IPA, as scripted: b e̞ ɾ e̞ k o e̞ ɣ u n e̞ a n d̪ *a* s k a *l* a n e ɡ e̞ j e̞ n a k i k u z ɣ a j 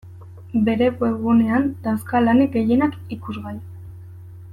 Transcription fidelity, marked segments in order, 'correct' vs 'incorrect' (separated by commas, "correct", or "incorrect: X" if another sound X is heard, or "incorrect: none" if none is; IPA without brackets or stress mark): correct, correct